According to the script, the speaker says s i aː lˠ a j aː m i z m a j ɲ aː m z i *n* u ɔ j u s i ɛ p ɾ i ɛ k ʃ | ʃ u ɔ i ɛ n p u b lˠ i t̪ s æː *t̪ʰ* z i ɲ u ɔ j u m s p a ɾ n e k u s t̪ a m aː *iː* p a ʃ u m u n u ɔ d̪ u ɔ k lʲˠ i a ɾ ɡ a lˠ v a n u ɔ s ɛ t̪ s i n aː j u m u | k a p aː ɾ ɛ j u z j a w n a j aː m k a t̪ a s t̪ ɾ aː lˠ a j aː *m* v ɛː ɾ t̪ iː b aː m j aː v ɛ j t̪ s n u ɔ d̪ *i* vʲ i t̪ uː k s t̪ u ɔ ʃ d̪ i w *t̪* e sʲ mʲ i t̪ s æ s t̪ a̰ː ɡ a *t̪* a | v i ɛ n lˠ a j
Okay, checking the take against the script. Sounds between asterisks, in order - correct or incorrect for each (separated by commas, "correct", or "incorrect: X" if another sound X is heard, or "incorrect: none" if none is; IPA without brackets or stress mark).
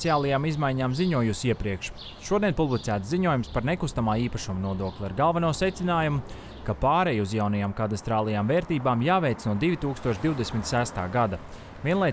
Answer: incorrect: ɲ, incorrect: t̪, correct, correct, correct, incorrect: d̪, incorrect: d̪